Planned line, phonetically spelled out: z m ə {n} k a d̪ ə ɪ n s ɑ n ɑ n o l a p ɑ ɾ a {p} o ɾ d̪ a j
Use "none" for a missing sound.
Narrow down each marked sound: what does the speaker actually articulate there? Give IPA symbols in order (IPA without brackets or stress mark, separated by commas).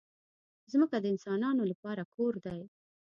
none, k